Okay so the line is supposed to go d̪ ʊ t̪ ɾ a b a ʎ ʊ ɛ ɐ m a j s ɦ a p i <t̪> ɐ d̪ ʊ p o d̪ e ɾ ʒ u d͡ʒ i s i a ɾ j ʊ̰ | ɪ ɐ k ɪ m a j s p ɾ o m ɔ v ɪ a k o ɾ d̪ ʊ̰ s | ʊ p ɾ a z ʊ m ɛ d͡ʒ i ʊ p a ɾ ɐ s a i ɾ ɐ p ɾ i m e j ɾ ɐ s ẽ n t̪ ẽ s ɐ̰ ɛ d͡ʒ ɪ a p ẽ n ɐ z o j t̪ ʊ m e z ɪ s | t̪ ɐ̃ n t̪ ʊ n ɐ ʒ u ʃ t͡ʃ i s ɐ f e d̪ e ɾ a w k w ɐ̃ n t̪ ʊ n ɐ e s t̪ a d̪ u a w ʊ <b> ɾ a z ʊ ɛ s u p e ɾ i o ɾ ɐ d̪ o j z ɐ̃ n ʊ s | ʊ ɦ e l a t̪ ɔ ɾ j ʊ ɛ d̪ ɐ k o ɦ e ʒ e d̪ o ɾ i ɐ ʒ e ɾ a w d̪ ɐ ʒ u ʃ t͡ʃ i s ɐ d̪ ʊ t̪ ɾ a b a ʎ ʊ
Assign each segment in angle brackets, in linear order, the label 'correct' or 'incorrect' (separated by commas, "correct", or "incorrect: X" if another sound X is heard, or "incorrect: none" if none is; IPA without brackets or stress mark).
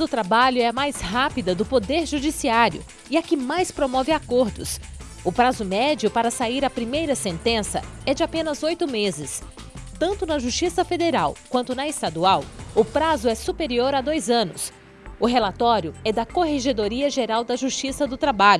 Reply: incorrect: d̪, incorrect: p